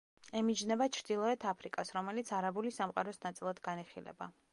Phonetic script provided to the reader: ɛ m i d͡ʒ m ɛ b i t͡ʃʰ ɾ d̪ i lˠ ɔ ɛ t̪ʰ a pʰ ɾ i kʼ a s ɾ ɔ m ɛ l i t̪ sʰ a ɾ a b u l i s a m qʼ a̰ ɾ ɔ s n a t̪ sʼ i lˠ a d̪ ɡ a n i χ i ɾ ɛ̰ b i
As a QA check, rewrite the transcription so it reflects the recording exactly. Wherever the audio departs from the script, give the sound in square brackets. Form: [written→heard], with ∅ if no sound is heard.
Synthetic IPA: ɛ m i d͡ʒ [m→n] ɛ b [i→a] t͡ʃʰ ɾ d̪ i lˠ ɔ ɛ t̪ʰ a pʰ ɾ i kʼ a s ɾ ɔ m ɛ l i t̪ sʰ a ɾ a b u l i s a m qʼ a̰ ɾ ɔ s n a t̪ sʼ i lˠ a d̪ ɡ a n i χ i [ɾ→l] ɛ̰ b [i→a]